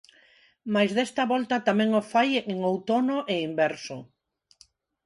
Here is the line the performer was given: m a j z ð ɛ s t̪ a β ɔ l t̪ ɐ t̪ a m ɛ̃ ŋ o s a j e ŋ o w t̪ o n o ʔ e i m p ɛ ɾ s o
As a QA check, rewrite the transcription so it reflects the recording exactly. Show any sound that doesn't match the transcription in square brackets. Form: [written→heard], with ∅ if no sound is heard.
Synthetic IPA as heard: m a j z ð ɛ s t̪ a β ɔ l t̪ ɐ t̪ a m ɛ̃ ŋ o [s→f] a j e ŋ o w t̪ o n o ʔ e i m [p→b] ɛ ɾ s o